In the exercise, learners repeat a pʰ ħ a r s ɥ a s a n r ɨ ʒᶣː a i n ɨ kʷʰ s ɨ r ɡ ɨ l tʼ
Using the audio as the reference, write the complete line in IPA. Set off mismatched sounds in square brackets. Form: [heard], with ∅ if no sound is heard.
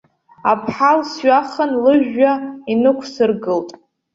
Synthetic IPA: a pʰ ħ a [l] s ɥ a [χ] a n [l] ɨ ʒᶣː a i n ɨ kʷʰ s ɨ r ɡ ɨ l tʼ